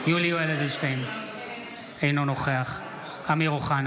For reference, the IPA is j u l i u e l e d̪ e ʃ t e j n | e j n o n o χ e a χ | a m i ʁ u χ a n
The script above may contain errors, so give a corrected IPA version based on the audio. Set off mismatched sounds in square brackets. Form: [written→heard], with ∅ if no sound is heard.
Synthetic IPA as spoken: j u l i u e l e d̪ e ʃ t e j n | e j n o n o χ e a χ | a m i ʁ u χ a n